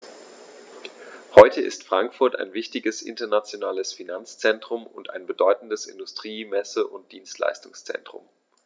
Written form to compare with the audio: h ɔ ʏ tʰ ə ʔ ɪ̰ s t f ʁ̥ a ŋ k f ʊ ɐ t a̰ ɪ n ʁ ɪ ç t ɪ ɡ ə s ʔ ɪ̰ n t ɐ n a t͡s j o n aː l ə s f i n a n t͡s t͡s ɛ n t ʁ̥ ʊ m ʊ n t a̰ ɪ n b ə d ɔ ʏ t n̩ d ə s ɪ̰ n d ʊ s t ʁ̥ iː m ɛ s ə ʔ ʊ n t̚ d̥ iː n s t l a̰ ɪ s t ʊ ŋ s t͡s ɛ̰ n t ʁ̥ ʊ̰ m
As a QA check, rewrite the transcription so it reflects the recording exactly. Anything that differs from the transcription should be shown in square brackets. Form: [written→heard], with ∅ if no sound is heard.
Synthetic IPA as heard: h ɔ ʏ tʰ ə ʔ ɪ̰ s t f ʁ̥ a ŋ k f ʊ ɐ t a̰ ɪ n [ʁ→v] ɪ ç t ɪ ɡ ə s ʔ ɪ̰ n t ɐ n a t͡s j o n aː l ə s f i n a n t͡s t͡s ɛ n t ʁ̥ ʊ m ʊ n t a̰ ɪ n b ə d ɔ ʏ t n̩ d ə s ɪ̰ n d ʊ s t ʁ̥ iː m ɛ s ə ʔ ʊ n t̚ d̥ iː n s t l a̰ ɪ s t ʊ ŋ s t͡s ɛ̰ n t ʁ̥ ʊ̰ m